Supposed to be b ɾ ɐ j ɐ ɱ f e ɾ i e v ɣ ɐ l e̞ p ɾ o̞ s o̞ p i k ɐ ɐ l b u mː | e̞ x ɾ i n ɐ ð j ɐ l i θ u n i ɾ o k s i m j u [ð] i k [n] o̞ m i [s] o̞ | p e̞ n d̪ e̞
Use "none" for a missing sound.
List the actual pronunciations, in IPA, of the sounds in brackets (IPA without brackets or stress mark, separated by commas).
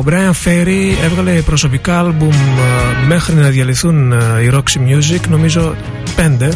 z, n, z